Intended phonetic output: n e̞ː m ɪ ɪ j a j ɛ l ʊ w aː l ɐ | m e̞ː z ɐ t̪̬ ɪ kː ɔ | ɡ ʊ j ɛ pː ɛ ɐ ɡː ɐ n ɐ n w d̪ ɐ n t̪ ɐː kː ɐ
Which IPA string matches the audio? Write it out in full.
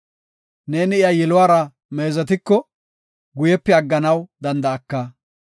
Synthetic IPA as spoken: n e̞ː n ɪ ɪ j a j ɛ l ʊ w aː ɾ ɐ | m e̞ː z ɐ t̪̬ ɪ kː ɔ | ɡ ʊ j ɛ pː ɛ ɐ ɡː ɐ n ɐ w d̪ ɐ n d̪ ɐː kː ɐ